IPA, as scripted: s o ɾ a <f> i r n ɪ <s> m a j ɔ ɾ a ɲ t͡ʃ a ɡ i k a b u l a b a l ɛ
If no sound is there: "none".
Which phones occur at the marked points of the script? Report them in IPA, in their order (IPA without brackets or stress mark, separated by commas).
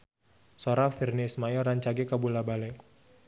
f, s